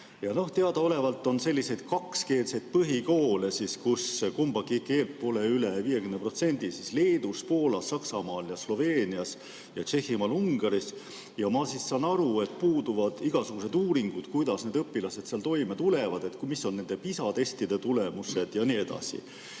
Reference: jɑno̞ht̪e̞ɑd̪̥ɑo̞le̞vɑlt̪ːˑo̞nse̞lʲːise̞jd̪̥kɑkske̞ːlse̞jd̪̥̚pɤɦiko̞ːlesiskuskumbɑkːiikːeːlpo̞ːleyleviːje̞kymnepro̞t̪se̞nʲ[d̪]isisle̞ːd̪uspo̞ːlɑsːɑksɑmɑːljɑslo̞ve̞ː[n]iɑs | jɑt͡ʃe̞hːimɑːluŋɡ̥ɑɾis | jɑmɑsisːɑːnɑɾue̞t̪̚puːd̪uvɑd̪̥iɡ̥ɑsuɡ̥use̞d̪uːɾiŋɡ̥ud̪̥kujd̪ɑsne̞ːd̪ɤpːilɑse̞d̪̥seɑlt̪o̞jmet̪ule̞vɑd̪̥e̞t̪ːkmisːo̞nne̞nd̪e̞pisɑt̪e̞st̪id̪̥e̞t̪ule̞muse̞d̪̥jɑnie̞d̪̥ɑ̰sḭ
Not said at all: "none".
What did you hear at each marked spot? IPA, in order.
d̪, n

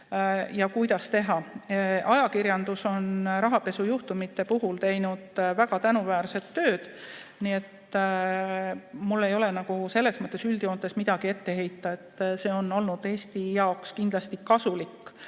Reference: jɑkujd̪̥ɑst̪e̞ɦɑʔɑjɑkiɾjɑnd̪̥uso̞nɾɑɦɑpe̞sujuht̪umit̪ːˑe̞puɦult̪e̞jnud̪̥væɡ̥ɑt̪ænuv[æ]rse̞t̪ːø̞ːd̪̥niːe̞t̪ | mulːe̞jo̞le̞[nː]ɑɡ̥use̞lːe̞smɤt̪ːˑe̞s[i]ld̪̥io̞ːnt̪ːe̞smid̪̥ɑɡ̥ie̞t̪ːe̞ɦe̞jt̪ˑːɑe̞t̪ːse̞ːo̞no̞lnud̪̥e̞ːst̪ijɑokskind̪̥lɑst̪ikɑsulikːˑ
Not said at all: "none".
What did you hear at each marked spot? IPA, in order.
æː, n, y

